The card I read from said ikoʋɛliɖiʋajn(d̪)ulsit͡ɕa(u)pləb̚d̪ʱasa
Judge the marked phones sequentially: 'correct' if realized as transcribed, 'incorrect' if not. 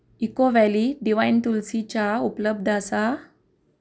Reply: incorrect, correct

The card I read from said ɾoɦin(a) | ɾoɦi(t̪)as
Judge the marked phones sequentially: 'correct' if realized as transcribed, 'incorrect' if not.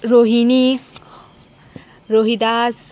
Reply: incorrect, incorrect

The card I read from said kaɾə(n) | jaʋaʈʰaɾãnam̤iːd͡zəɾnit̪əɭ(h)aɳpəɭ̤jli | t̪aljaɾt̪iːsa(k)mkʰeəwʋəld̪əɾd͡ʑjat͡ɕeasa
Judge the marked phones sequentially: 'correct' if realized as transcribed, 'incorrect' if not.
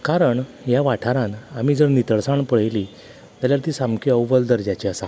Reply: incorrect, incorrect, incorrect

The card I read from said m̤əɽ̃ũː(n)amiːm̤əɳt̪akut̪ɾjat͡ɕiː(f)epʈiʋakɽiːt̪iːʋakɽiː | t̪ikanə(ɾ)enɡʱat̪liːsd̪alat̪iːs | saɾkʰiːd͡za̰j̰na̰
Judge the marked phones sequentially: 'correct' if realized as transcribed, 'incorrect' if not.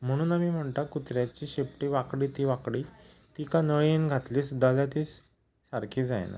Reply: correct, incorrect, incorrect

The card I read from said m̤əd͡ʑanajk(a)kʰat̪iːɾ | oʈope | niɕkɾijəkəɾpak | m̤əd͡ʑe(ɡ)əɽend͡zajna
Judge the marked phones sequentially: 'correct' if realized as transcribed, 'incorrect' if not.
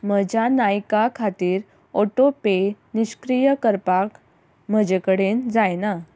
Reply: correct, incorrect

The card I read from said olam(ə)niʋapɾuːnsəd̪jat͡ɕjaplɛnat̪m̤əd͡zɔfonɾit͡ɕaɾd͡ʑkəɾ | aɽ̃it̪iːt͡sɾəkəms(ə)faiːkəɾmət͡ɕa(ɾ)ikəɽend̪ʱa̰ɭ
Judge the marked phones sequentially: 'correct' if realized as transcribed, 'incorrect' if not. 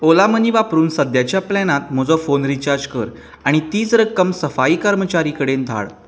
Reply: correct, correct, correct

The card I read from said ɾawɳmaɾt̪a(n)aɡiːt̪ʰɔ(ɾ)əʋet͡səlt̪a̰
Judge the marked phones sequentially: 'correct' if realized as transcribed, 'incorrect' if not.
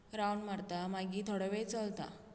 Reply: incorrect, incorrect

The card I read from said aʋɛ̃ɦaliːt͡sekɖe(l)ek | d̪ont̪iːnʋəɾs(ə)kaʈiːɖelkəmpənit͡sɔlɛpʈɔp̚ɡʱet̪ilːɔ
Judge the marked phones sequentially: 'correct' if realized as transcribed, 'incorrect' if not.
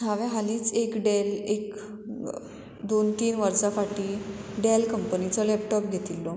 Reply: correct, incorrect

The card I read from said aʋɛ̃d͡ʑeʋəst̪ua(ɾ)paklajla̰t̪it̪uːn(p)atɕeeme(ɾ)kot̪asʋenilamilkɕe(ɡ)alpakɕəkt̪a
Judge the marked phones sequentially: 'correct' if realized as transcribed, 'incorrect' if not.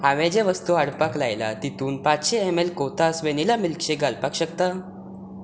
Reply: incorrect, correct, incorrect, correct

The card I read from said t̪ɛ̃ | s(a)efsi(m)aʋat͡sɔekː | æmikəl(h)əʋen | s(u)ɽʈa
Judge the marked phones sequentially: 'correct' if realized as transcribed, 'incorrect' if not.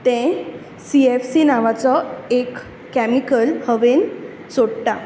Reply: incorrect, incorrect, correct, incorrect

